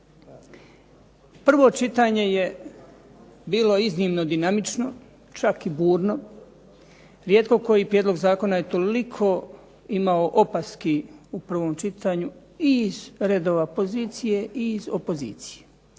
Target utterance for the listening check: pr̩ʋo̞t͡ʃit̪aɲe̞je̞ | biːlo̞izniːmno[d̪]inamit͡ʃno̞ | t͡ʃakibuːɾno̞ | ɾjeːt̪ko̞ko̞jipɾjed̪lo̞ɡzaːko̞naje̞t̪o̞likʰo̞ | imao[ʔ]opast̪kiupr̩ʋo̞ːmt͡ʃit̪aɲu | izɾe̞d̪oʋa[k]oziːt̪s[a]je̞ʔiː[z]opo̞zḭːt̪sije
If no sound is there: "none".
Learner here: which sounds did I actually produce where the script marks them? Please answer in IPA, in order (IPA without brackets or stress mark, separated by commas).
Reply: d̪, ʔ, p, i, z